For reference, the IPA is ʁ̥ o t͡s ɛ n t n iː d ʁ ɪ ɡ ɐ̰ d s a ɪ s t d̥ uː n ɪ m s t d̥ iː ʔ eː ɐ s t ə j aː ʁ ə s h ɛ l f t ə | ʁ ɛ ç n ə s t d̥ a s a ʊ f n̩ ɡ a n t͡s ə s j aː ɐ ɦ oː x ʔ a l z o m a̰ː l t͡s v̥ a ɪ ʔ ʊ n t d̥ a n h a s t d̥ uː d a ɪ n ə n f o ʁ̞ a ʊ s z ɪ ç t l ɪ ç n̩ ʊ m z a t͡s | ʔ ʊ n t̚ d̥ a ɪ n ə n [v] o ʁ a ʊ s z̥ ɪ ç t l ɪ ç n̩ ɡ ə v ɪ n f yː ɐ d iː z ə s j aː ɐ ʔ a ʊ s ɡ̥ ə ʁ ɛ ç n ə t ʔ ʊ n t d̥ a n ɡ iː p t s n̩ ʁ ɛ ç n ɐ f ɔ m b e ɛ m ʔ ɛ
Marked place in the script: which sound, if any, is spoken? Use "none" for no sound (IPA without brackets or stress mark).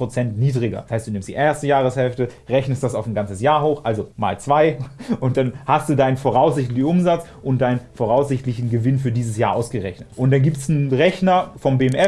f